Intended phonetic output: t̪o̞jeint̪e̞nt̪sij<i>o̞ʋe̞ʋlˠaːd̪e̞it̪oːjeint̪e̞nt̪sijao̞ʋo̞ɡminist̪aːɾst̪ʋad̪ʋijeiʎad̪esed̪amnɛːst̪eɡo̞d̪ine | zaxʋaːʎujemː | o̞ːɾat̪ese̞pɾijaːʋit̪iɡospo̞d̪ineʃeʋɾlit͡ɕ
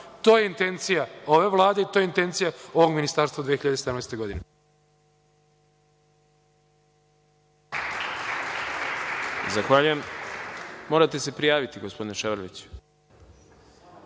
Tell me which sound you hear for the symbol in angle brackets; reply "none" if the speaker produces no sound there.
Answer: a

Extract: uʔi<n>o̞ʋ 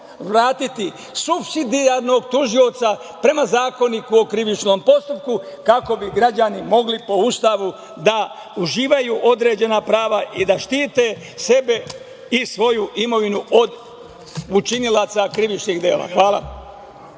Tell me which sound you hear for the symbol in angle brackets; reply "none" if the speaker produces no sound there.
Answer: m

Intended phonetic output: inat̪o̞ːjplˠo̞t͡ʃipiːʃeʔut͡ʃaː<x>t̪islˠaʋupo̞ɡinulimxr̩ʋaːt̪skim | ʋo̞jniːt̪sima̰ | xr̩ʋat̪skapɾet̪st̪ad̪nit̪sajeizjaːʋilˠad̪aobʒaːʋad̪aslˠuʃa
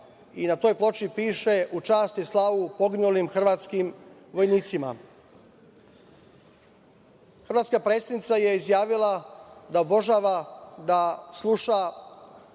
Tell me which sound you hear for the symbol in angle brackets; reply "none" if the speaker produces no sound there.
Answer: s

